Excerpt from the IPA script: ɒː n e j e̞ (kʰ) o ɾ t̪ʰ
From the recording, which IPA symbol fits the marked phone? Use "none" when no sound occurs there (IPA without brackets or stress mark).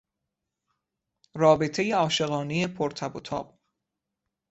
pʰ